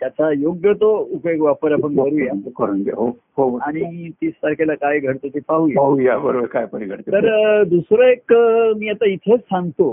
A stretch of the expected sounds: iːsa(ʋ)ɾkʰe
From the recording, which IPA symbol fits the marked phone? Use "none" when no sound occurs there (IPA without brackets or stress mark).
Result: none